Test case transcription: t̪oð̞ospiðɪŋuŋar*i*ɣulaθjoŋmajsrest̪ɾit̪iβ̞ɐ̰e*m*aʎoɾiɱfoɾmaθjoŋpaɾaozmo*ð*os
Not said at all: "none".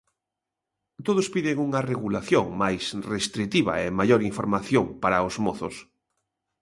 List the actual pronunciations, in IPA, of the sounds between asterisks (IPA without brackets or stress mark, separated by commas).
e, m, θ